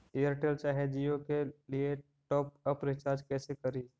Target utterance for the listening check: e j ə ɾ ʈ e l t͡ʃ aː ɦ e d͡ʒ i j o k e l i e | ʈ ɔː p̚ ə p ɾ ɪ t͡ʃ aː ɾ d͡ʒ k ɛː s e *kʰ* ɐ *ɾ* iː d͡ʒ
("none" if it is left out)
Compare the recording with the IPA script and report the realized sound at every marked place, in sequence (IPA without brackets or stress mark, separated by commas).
k, ɾ